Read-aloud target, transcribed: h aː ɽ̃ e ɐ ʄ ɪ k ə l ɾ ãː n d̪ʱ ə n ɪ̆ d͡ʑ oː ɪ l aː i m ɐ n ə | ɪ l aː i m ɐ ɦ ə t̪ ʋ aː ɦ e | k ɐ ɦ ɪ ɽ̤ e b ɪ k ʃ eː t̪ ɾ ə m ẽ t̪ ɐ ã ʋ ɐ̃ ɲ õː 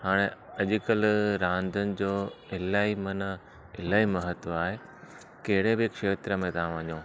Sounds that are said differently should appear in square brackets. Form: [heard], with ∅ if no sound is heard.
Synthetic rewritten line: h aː ɽ̃ e ɐ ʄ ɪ k ə l ɾ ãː n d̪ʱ ə n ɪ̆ d͡ʑ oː ɪ l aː i m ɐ n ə | ɪ l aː i m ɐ ɦ ə t̪ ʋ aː ɦ e | k ɐ ɦ ɪ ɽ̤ e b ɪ k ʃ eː t̪ ɾ ə m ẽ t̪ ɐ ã ʋ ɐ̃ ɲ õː

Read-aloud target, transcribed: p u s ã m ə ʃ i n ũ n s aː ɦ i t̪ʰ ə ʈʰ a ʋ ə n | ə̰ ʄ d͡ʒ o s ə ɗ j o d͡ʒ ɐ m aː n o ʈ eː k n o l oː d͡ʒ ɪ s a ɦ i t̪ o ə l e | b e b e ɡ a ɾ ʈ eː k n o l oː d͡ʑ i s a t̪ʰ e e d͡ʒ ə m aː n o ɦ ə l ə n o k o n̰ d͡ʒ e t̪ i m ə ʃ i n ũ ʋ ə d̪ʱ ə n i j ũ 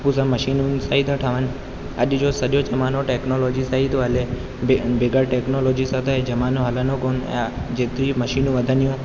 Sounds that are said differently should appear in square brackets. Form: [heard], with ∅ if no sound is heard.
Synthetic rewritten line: p u s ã m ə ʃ i n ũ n s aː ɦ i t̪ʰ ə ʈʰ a ʋ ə n | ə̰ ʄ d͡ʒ o s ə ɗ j o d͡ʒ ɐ m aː n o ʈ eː k n o l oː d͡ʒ [i] s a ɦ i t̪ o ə l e | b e b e ɡ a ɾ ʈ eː k n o l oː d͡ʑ i s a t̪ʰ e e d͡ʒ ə m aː n o ɦ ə l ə n o k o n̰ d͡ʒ e t̪ i m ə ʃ i n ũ ʋ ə d̪ʱ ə n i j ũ

